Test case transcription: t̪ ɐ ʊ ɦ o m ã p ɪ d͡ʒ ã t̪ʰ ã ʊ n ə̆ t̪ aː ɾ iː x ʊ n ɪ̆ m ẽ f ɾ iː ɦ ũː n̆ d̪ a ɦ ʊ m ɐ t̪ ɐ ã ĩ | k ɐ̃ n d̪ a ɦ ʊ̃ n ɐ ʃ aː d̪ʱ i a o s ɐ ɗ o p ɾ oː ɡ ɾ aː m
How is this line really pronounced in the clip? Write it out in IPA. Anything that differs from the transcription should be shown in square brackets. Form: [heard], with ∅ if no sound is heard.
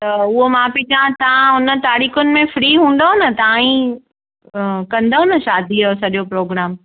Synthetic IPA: t̪ ɐ ʊ ɦ o m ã p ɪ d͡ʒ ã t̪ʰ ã ʊ n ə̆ t̪ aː ɾ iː x ʊ n ɪ̆ m ẽ f ɾ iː ɦ ũː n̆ d̪ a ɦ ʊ [n] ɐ t̪ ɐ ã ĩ | k ɐ̃ n d̪ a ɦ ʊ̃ n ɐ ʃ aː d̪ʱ i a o s ɐ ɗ o p ɾ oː ɡ ɾ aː m